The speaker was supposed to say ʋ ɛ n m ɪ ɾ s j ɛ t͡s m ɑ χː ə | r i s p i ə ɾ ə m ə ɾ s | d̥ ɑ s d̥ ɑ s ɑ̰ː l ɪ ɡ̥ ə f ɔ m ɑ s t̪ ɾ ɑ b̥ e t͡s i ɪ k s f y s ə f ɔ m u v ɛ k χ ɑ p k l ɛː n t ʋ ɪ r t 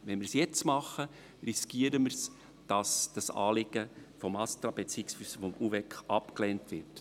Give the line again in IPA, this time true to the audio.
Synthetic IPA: ʋ ɛ n m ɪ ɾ s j ɛ t͡s m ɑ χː ə | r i s k i ə ɾ ə m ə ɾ s | d̥ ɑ s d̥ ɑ s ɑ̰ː l ɪ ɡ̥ ə f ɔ m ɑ s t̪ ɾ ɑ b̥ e t͡s i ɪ k s f y s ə f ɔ m u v ɛ k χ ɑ p k l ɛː n t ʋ ɪ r t

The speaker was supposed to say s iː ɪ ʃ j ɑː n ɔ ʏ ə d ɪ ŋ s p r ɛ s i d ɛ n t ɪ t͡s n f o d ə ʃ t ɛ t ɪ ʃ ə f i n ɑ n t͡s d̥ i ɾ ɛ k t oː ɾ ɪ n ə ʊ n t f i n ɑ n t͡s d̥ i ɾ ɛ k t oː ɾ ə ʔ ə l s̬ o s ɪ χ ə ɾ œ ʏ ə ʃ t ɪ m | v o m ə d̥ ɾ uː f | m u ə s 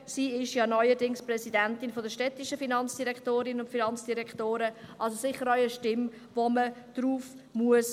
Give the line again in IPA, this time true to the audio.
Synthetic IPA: s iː ɪ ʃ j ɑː n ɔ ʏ ə d ɪ ŋ s p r ɛ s i d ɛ n t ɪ n f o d ə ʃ t ɛ t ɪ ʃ ə f i n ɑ n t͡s d̥ i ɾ ɛ k t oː ɾ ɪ n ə ʊ n t f i n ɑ n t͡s d̥ i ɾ ɛ k t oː ɾ ə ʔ ɑ l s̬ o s ɪ χ ə ɾ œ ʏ ə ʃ t ɪ m | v o m ə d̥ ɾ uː f | m u ə s

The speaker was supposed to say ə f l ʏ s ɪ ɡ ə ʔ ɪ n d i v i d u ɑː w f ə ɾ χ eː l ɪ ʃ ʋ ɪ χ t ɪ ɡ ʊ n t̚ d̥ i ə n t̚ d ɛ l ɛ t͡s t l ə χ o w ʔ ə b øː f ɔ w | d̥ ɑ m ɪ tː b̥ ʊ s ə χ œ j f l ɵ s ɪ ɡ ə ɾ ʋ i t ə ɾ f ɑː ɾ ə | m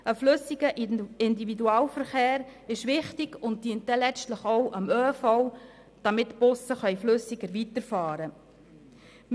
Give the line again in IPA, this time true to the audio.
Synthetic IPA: ə f l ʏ s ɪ ɡ ə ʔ ɪ n d i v i d u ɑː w f ə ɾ χ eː ɾ ɪ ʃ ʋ ɪ χ t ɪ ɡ ʊ n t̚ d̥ i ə n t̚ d ɛ l ɛ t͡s t l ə χ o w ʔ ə m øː f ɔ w | d̥ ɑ m ɪ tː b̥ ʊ s ə χ œ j f l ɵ s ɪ ɡ ə ɾ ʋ i t ə ɾ f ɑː ɾ ə | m

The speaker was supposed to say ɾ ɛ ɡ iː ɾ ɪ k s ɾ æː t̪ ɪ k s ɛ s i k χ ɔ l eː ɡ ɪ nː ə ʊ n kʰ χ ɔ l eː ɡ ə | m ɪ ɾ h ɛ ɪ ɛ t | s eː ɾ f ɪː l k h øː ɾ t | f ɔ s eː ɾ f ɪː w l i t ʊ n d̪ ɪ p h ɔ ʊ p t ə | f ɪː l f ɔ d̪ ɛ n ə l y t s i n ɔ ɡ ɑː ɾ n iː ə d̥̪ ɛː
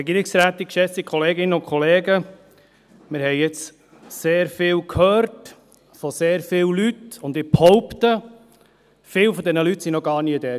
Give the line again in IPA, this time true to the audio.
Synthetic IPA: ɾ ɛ ɡ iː ɾ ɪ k s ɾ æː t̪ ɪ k ʃ ɛ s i k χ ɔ l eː ɡ ɪ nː ə ʊ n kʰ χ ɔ l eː ɡ ə | m ɪ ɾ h ɛ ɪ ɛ t͡s | s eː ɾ f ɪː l k h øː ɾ t | f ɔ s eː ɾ f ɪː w l y t ʊ n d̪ ɪ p h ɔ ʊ p t ə | f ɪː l f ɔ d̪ ɛ n ə l y t s i n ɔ ɡ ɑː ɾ n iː ə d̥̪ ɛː

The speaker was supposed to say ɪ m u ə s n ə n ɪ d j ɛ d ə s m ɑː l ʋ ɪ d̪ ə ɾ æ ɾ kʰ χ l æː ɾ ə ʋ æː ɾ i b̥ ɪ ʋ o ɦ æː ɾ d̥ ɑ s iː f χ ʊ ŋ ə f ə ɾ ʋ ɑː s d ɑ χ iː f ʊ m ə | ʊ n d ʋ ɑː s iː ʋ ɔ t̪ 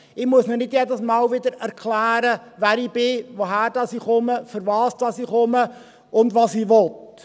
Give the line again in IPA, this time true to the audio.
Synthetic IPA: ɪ m u ə s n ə n ɪ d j ɛ d ə s m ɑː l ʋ ɪ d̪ ə ɾ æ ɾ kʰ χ l æː ɾ ə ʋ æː ɾ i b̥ ɪ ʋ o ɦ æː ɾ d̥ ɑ s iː χ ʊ m ə f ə ɾ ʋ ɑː s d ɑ s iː χ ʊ m ə | ʊ n d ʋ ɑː s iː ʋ ɔ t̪

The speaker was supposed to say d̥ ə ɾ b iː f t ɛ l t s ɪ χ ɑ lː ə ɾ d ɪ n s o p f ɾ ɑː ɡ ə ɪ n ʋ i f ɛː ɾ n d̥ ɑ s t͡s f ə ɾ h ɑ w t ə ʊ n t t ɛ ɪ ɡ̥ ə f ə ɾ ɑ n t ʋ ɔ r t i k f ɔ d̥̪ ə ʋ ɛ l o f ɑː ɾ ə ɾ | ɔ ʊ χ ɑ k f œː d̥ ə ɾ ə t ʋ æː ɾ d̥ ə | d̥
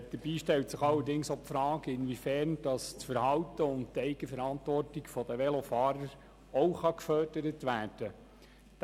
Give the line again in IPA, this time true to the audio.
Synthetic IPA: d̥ ə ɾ b iː ʃ t ɛ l t s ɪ χ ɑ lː ə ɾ d ɪ ŋ s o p f ɾ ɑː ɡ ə ɪ n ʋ i f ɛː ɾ n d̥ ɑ s t͡s f ə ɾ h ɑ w t ə ʊ n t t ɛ ɪ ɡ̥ ə f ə ɾ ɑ n t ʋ ɔ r t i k f ɔ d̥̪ ə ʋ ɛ l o f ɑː ɾ ə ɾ | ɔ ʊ χ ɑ k f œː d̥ ə ɾ ə t ʋ æː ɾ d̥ ə | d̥

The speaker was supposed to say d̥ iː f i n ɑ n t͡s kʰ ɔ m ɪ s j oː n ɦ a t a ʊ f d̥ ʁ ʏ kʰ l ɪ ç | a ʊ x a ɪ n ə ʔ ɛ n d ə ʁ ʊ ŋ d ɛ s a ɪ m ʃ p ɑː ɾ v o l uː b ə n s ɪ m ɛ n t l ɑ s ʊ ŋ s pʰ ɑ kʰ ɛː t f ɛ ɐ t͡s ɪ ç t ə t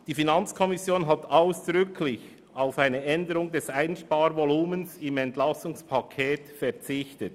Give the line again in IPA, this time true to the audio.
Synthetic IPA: d̥ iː f i n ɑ n t͡s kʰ ɔ m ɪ s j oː n ɦ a t a ʊ s d̥ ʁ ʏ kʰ l ɪ ç | a ʊ f a ɪ n ə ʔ ɛ n d ə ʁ ʊ ŋ d ɛ s a ɪ n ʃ p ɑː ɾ v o l uː m ə n s ɪ m ɛ n t l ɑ s ʊ ŋ s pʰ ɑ kʰ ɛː t f ɛ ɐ t͡s ɪ ç t ə t

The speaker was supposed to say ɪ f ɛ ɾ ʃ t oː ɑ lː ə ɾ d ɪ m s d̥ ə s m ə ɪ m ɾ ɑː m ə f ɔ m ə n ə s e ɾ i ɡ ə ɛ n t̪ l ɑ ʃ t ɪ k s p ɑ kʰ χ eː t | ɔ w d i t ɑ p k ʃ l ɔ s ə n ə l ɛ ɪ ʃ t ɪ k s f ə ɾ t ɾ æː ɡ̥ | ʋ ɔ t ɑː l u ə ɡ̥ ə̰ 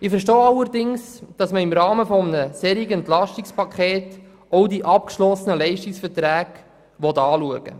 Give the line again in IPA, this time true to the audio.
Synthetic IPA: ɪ f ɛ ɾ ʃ t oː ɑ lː ə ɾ d ɪ ŋ s d̥ ɑ s m ə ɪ m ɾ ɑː m ə f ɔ m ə n ə s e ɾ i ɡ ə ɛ n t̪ l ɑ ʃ t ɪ k s p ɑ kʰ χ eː t | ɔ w d i ʔ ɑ p k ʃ l ɔ s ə n ə l ɛ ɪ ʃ t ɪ k s f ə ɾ t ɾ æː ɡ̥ | ʋ ɔ t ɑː l u ə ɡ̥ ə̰

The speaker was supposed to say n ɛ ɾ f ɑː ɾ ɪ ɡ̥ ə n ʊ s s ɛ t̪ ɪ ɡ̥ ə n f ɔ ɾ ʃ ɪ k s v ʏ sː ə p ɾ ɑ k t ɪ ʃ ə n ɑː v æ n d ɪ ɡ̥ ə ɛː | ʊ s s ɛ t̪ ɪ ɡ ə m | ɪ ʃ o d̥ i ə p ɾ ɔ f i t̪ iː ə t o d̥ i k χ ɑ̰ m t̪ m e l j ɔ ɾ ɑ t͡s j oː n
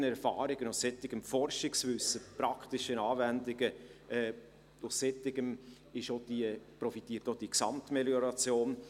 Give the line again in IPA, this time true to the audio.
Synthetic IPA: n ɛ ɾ f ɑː ɾ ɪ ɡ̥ ə n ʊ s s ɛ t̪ ɪ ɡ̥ ə m f ɔ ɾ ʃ ɪ k s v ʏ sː ə p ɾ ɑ k t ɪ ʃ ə n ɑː v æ n d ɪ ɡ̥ ə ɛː | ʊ s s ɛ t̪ ɪ ɡ ə m | ɪ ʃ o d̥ i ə p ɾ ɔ f i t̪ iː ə t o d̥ i k s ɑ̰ m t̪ m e l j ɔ ɾ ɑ t͡s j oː n

